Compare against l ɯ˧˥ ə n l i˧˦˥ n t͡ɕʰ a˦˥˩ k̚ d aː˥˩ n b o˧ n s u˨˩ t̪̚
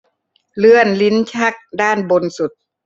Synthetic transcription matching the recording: l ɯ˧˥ ə n l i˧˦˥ n t͡ɕʰ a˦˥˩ k̚ d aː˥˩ n b o˧ n s u˨˩ t̪̚